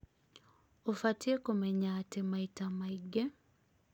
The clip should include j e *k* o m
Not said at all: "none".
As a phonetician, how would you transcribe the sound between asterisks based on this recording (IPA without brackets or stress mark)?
k